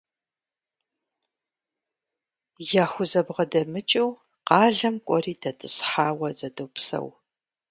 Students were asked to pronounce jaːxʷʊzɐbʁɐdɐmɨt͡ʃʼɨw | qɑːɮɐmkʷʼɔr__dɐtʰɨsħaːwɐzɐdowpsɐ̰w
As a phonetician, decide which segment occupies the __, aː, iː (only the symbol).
iː